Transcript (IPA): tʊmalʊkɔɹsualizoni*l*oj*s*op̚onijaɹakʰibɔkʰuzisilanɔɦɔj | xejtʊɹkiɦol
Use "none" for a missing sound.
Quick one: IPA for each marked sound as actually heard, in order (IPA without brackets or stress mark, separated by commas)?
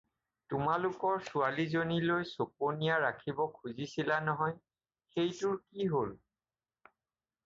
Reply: l, s